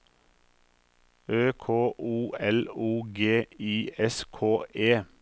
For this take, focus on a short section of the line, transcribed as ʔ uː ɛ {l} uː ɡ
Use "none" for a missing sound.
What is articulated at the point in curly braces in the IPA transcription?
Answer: l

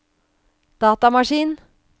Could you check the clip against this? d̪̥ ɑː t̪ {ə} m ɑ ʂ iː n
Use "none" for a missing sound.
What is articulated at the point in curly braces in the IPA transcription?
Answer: ɑ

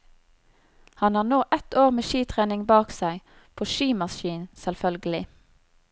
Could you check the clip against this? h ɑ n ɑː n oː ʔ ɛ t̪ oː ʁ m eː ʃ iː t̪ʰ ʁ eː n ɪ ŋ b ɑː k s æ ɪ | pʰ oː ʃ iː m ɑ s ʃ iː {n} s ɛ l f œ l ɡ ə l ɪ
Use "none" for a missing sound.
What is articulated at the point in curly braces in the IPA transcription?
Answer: n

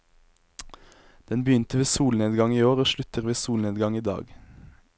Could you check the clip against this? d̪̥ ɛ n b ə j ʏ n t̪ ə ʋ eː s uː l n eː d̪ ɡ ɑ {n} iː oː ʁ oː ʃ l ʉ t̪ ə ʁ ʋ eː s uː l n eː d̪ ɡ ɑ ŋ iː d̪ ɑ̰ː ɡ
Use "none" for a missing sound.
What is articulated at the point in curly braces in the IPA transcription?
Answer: ŋ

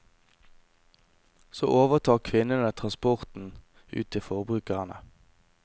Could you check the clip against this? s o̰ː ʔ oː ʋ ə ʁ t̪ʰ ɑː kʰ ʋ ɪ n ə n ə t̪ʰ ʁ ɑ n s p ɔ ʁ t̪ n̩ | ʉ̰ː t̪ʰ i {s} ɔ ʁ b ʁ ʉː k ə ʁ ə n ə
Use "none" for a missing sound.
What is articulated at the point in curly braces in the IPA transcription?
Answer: f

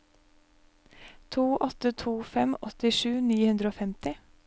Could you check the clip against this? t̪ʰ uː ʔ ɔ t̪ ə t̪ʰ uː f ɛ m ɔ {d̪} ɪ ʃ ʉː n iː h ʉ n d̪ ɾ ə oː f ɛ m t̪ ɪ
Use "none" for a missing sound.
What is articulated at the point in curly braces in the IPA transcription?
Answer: t̪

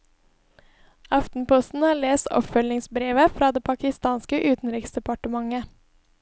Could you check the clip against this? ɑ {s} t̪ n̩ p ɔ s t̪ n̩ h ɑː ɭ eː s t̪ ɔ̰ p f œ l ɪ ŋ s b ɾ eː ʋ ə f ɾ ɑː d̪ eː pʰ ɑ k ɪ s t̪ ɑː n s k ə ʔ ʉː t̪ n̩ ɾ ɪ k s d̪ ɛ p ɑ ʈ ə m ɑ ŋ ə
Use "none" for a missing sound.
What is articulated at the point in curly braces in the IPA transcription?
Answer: f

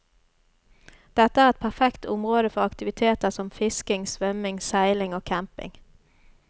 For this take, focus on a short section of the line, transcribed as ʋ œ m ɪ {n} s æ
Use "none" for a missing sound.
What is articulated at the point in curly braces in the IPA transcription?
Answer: ŋ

